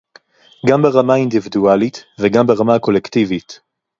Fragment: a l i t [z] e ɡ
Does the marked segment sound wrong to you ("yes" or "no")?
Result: yes